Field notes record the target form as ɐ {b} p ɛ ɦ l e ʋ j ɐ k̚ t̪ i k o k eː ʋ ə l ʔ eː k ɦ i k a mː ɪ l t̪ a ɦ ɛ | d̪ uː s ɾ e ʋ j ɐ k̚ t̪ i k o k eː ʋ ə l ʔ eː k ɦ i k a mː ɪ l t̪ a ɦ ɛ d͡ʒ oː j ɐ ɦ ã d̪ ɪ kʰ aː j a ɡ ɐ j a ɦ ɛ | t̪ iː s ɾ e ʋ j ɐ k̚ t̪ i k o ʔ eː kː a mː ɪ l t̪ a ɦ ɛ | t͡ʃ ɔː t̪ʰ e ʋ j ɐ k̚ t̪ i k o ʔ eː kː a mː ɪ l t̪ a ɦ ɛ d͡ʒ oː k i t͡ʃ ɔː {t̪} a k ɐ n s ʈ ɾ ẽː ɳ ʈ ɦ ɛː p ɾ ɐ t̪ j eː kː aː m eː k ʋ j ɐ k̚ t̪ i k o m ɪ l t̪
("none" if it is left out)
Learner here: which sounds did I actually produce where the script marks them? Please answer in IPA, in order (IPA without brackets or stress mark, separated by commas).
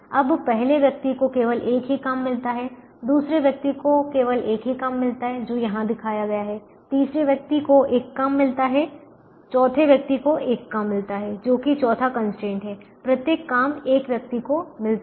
b, t̪ʰ